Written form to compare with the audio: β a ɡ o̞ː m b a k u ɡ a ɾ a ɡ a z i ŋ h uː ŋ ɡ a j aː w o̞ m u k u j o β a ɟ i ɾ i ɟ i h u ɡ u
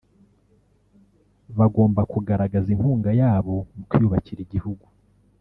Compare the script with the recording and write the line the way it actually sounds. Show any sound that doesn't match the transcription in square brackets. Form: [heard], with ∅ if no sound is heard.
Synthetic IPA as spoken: β a ɡ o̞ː m b a k u ɡ a ɾ a ɡ a z i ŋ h uː ŋ ɡ a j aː [β] o̞ m u k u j [u] β a [c] i ɾ i ɟ i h u ɡ u